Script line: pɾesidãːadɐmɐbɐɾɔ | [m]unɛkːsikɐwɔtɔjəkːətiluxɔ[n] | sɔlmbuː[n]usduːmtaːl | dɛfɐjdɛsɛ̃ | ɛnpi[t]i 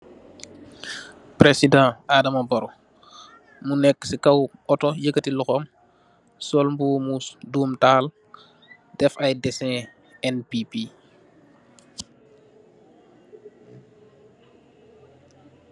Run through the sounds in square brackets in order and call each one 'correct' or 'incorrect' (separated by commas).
correct, incorrect, incorrect, incorrect